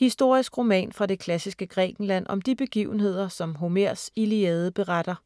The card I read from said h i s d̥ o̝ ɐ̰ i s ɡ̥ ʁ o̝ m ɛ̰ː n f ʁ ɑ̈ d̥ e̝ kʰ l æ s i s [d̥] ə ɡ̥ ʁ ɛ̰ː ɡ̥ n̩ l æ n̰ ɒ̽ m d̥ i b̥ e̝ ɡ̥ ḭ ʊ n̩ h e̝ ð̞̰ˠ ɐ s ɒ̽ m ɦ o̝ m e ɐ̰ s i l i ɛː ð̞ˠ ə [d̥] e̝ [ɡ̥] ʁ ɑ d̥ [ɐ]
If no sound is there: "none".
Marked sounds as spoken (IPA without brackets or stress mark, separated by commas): ɡ̥, b̥, none, ɐ